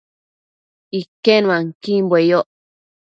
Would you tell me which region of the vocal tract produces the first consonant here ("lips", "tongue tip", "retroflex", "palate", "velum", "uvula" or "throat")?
velum